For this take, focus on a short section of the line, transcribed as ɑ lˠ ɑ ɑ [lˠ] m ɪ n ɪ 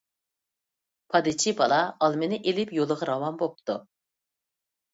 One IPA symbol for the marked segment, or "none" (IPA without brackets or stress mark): lˠ